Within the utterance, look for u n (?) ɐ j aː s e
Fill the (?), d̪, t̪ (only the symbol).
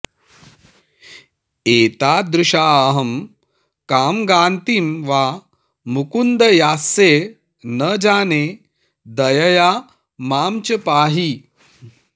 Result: d̪